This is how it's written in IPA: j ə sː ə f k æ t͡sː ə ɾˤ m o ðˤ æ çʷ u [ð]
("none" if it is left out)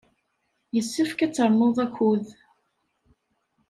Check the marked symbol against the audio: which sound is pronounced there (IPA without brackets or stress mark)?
ð